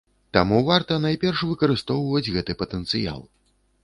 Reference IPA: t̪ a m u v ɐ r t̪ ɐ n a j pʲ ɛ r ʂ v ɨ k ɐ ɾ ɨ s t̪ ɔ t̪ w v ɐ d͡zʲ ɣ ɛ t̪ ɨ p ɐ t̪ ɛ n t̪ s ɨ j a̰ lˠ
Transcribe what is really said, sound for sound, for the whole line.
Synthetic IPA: t̪ a m u v a r t̪ ɐ n a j pʲ ɛ r ʂ v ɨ k ɐ ɾ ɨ s t̪ ɔ w v ɐ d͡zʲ ɣ ɛ t̪ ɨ p ɐ t̪ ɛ n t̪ s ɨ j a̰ lˠ